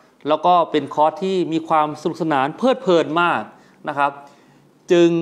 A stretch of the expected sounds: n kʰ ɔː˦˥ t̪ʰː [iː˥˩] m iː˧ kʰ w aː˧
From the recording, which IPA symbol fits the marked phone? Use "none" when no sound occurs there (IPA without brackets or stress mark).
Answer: iː˥˩